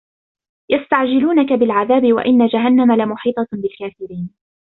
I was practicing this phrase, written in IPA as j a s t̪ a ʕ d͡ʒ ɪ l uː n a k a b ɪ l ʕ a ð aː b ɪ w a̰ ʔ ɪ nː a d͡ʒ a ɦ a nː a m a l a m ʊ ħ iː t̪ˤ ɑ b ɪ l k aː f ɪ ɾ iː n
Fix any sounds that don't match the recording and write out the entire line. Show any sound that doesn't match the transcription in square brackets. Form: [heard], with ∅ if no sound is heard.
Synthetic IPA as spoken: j a s t̪ a ʕ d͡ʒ ɪ l uː n a k a b ɪ l ʕ a ð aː b ɪ w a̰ ʔ ɪ nː a d͡ʒ a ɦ a nː a m a l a m ʊ ħ iː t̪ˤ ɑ b ɪ l k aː f ɪ ɾ iː n